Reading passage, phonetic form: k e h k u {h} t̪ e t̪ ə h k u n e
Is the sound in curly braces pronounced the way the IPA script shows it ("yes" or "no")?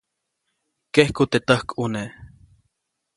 no